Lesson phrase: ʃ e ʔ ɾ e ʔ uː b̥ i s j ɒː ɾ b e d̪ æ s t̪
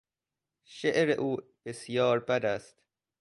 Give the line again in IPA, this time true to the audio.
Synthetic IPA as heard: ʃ e ʔ ɾ e ʔ uː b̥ e s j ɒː ɾ b æ d̪ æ s t̪

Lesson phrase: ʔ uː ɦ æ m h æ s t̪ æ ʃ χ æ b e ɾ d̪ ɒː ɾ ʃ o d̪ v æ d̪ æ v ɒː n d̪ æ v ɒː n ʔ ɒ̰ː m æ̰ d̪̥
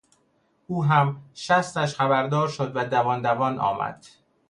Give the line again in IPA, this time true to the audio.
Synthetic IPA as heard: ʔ uː ɦ æ m ʃ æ s t̪ æ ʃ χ æ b æ ɾ d̪ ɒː ɾ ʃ o d̪ v æ d̪ æ v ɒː n d̪ æ v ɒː n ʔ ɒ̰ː m æ̰ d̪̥

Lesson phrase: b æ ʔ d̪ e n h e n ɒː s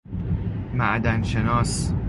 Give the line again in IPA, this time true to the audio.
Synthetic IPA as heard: m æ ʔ d̪ æ n ʃ e n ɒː s

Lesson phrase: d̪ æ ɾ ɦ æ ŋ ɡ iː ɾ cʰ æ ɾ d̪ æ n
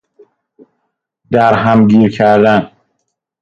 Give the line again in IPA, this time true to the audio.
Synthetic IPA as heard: d̪ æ ɾ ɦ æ m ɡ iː ɾ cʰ æ ɾ d̪ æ n

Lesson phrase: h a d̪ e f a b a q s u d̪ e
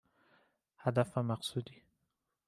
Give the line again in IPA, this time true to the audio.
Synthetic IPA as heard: h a d̪ a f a m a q s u d̪ i

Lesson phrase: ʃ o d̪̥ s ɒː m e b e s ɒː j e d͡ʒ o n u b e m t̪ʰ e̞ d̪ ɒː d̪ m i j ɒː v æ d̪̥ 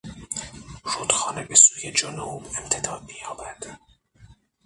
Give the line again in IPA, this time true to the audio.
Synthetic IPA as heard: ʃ o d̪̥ x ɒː n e b e s uː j e d͡ʒ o n u b e m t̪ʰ e̞ d̪ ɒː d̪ m i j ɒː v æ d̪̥

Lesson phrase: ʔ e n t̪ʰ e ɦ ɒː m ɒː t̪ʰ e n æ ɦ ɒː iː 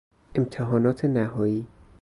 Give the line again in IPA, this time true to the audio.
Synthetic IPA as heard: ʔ e m t̪ʰ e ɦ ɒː n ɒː t̪ʰ e n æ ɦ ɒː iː

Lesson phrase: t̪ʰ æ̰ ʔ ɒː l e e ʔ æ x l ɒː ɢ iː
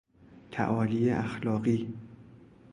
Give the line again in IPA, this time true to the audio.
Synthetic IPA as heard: t̪ʰ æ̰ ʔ ɒː l i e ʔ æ x l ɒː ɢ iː

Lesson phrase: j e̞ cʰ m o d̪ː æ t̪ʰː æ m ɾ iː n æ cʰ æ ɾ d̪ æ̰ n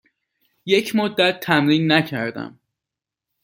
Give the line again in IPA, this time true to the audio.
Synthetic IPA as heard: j e̞ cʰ m o d̪ː æ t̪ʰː æ m ɾ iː nː æ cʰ æ ɾ d̪ æ̰ m

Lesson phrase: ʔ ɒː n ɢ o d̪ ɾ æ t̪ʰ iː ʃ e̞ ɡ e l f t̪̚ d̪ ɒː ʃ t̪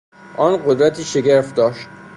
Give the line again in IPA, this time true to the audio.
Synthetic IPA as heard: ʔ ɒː n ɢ o d̪ ɾ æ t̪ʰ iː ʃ e̞ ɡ e ɾ f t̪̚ d̪ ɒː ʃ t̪

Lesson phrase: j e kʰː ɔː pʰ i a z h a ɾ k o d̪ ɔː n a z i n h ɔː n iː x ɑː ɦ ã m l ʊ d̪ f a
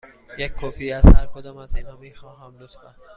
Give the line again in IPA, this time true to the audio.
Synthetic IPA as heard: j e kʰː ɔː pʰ i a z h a ɾ k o d̪ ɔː m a z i n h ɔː m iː x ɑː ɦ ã m l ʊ t̪ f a

